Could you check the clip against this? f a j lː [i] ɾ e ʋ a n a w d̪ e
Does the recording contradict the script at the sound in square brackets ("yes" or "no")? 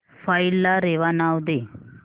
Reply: yes